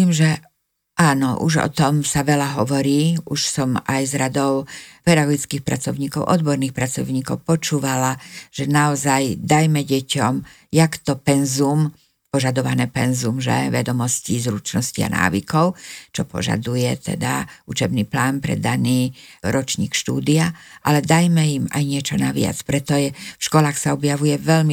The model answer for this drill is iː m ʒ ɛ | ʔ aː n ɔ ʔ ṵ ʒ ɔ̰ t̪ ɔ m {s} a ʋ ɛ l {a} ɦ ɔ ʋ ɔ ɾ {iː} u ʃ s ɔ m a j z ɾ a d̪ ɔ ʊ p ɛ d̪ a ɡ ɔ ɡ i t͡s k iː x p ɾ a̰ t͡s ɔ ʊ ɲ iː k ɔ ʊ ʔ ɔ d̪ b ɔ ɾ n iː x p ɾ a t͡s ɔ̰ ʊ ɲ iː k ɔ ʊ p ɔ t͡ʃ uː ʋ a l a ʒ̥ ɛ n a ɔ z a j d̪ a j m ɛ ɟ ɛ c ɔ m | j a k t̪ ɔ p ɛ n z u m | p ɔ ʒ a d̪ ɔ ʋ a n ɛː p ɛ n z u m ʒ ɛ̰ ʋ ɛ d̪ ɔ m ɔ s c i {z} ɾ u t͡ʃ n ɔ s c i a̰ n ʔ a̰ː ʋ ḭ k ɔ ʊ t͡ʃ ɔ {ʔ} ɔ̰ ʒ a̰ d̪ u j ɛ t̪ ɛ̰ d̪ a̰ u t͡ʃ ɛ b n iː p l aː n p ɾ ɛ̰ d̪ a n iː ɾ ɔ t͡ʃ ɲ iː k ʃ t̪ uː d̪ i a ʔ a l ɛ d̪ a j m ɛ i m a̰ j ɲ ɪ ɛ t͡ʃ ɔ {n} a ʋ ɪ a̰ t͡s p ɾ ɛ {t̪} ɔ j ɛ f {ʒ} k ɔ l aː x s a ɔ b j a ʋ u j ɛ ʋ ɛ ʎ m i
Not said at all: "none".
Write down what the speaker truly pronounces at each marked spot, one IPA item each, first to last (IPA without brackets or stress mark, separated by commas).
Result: s, a, iː, z, p, n, t̪, ʃ